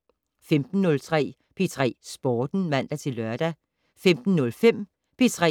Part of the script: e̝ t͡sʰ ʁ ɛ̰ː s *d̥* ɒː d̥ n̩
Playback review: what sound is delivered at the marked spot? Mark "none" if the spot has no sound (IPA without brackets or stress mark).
b̥